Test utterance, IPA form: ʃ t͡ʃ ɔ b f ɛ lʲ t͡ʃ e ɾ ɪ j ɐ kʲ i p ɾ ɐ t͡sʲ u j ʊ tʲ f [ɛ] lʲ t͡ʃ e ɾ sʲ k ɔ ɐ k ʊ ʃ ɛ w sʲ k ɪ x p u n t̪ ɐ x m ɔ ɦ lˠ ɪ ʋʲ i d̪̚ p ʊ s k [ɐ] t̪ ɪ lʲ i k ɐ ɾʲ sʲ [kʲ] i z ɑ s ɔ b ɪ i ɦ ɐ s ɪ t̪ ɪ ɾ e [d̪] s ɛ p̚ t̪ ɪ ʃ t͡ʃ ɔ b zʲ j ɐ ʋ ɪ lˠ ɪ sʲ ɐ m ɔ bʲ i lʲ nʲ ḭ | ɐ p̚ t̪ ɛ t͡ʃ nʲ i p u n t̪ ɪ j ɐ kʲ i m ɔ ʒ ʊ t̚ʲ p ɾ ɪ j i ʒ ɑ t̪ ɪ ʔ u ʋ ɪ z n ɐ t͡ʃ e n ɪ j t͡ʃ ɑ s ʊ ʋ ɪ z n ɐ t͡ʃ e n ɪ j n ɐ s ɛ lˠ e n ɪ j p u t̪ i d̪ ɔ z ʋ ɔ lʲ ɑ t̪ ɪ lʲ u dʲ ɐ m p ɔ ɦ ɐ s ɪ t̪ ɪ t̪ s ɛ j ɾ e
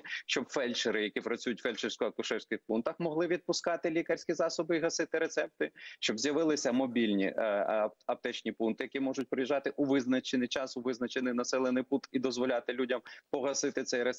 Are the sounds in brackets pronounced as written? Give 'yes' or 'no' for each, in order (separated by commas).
yes, no, yes, no